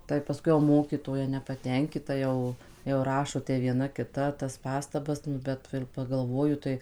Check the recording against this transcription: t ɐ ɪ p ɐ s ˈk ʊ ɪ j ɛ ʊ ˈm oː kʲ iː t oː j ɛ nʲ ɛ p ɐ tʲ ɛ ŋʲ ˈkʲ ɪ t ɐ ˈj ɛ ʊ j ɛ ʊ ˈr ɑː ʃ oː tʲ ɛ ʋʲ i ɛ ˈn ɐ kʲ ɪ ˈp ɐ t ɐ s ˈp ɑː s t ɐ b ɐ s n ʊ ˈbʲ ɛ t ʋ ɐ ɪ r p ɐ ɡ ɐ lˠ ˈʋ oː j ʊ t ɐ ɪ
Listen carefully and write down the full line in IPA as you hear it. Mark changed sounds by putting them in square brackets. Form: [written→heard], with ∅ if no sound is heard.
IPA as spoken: t ɐ ɪ p ɐ s ˈk ʊ ɪ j ɛ ʊ ˈm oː kʲ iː t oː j ɛ nʲ ɛ p ɐ tʲ ɛ ŋʲ ˈkʲ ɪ t ɐ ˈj ɛ ʊ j ɛ ʊ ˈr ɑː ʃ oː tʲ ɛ ʋʲ i ɛ ˈn ɐ kʲ ɪ [ˈp→ˈt] ɐ t ɐ s ˈp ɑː s t ɐ b ɐ s n ʊ ˈbʲ ɛ t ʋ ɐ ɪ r p ɐ ɡ ɐ lˠ ˈʋ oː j ʊ t ɐ ɪ

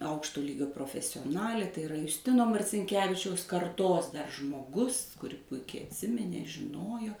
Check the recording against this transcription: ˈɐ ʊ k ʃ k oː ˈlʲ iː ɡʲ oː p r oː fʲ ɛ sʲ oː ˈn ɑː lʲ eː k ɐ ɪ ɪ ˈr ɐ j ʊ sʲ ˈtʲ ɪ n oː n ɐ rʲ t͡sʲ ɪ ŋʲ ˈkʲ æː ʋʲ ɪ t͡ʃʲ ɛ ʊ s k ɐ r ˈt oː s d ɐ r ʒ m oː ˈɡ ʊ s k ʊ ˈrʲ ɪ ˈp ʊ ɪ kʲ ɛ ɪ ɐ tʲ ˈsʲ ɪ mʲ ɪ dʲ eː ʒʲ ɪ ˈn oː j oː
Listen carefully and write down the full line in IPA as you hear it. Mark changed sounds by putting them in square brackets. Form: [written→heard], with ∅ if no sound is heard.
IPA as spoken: ˈɐ ʊ k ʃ [k→t] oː ˈlʲ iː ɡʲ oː p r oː fʲ ɛ sʲ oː ˈn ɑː lʲ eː [k→t] ɐ ɪ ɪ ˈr ɐ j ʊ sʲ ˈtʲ ɪ n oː [n→m] ɐ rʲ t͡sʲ ɪ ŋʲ ˈkʲ æː ʋʲ ɪ t͡ʃʲ ɛ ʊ s k ɐ r ˈt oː s d ɐ r ʒ m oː ˈɡ ʊ s k ʊ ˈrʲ ɪ ˈp ʊ ɪ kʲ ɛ ɪ ɐ tʲ ˈsʲ ɪ mʲ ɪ [dʲ→nʲ] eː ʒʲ ɪ ˈn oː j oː

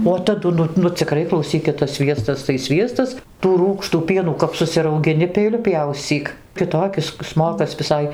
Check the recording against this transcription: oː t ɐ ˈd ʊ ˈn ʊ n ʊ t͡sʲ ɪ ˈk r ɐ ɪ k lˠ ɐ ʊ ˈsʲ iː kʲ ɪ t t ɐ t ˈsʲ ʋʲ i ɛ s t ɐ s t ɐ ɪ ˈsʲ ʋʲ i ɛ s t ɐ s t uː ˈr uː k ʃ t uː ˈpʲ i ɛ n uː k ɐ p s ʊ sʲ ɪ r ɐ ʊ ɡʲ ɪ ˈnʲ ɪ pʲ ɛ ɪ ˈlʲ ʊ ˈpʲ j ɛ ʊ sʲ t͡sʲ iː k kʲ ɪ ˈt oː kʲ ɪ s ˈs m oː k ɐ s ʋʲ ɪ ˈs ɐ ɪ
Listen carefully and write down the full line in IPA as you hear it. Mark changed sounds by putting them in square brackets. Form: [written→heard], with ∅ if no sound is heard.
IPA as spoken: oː t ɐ ˈd ʊ ˈn ʊ n ʊ t͡sʲ ɪ ˈk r ɐ ɪ k lˠ ɐ ʊ ˈsʲ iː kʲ ɪ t t ɐ [t→s] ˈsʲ ʋʲ i ɛ s t ɐ s t ɐ ɪ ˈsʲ ʋʲ i ɛ s t ɐ s t uː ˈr uː k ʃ t uː ˈpʲ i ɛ n uː k ɐ p s ʊ sʲ ɪ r ɐ ʊ ɡʲ ɪ ˈnʲ ɪ pʲ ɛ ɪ ˈlʲ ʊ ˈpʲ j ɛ ʊ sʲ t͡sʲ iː k kʲ ɪ ˈt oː kʲ ɪ s ˈs m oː k ɐ s ʋʲ ɪ ˈs ɐ ɪ

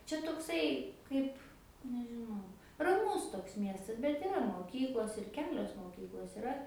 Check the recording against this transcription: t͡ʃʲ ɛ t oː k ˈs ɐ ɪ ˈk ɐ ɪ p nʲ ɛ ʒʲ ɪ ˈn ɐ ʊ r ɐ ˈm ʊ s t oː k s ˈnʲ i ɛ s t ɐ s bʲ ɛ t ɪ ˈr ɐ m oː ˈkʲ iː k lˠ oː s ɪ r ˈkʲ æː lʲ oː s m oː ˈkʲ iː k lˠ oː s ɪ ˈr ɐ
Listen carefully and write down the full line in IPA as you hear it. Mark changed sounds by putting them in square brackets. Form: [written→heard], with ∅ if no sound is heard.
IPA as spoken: t͡ʃʲ ɛ t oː k ˈs ɐ ɪ ˈk ɐ ɪ p nʲ ɛ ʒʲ ɪ ˈn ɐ ʊ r ɐ ˈm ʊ s t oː k s [ˈnʲ→ˈmʲ] i ɛ s t ɐ s bʲ ɛ t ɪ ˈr ɐ m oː ˈkʲ iː k lˠ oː s ɪ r ˈkʲ æː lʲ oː s m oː ˈkʲ iː k lˠ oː s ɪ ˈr ɐ

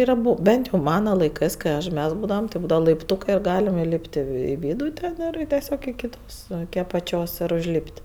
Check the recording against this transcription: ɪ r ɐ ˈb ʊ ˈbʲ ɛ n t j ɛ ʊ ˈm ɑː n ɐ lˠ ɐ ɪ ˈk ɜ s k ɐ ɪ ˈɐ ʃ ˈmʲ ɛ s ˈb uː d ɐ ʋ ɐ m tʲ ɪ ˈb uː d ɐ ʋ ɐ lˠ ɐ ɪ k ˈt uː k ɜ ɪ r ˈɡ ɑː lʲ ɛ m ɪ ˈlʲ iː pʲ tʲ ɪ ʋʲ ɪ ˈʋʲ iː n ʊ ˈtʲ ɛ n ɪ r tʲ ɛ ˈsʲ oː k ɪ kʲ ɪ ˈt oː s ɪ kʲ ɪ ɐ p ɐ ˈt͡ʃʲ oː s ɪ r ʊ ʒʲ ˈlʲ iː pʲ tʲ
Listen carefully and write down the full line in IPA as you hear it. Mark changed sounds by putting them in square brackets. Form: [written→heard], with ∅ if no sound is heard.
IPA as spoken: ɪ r ɐ ˈb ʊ ˈbʲ ɛ n t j ɛ ʊ ˈm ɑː n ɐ lˠ ɐ ɪ ˈk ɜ s k ɐ ɪ ˈɐ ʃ ˈmʲ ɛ s ˈb uː d ɐ ʋ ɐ m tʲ ɪ ˈb uː d ɐ ʋ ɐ lˠ ɐ ɪ [k→p] ˈt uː k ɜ ɪ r ˈɡ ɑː lʲ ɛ m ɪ ˈlʲ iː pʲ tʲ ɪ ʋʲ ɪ ˈʋʲ iː [n→d] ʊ ˈtʲ ɛ n ɪ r tʲ ɛ ˈsʲ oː k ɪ kʲ ɪ ˈt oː s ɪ kʲ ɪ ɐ p ɐ ˈt͡ʃʲ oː s ɪ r ʊ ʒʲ ˈlʲ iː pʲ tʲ

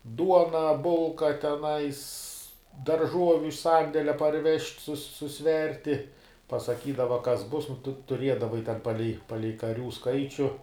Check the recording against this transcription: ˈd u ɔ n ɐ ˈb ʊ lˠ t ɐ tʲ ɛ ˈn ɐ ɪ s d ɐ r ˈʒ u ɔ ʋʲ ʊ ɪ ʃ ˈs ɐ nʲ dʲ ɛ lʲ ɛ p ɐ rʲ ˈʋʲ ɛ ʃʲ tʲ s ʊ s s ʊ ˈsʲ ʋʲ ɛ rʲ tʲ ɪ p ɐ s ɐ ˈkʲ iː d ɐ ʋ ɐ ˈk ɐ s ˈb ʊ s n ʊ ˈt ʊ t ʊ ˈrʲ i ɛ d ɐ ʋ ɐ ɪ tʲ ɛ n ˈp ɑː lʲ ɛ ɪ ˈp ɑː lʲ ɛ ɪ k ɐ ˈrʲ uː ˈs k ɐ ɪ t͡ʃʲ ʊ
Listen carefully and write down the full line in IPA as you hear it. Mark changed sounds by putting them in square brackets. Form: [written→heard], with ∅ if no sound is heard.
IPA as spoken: ˈd u ɔ n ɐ ˈb ʊ lˠ [t→k] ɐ tʲ ɛ ˈn ɐ ɪ s d ɐ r ˈʒ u ɔ ʋʲ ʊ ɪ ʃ ˈs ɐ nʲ dʲ ɛ lʲ ɛ p ɐ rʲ ˈʋʲ ɛ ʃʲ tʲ s ʊ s s ʊ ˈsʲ ʋʲ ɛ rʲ tʲ ɪ p ɐ s ɐ ˈkʲ iː d ɐ ʋ ɐ ˈk ɐ s ˈb ʊ s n ʊ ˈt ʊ t ʊ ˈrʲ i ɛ d ɐ ʋ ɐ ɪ tʲ ɛ n ˈp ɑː lʲ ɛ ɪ ˈp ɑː lʲ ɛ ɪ k ɐ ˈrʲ uː ˈs k ɐ ɪ t͡ʃʲ ʊ

